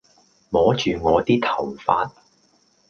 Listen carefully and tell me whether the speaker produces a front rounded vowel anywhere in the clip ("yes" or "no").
yes